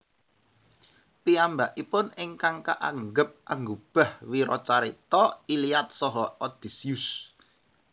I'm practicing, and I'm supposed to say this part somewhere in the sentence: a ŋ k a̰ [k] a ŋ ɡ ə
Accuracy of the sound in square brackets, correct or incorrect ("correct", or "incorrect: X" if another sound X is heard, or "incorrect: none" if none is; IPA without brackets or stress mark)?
incorrect: ʔ